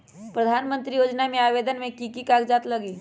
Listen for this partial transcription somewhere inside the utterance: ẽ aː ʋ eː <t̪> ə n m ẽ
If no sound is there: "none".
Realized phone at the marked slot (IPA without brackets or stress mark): d̪